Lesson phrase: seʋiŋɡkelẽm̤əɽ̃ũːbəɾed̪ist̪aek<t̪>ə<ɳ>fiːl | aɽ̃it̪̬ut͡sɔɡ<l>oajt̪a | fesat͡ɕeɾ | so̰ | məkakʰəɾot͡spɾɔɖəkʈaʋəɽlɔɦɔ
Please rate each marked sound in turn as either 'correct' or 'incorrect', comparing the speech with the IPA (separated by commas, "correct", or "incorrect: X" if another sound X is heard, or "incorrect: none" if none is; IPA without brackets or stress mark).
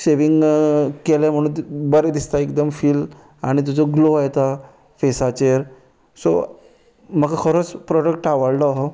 incorrect: d̪, incorrect: m, correct